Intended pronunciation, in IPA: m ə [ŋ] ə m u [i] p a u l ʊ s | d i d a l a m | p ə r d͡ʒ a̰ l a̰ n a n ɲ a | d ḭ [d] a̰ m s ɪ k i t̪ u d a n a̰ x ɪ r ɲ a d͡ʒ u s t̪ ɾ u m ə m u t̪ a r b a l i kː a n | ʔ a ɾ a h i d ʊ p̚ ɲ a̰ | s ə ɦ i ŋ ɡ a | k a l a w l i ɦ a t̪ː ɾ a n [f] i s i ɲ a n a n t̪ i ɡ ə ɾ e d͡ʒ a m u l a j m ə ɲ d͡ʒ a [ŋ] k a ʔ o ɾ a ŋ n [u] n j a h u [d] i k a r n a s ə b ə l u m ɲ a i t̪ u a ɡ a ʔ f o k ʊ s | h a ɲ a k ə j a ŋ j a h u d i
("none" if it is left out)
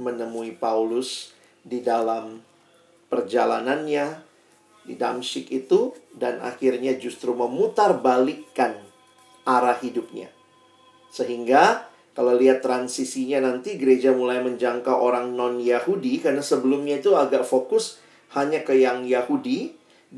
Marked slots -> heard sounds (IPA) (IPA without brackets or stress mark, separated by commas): n, i, d, s, ŋ, ɔ, d